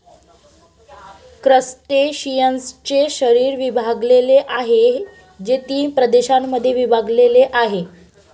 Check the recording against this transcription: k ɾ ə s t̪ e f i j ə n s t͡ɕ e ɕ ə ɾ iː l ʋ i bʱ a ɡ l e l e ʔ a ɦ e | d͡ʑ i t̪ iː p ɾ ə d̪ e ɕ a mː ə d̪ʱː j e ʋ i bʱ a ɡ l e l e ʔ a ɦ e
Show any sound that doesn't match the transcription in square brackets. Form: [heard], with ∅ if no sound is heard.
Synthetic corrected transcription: k ɾ ə s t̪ e [ɕ] i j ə n s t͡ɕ e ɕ ə ɾ iː [ɾ] ʋ i bʱ a ɡ l e l e ʔ a ɦ e | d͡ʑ [e] t̪ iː p ɾ ə d̪ e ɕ a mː ə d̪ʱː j e ʋ i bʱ a ɡ l e l e ʔ a ɦ e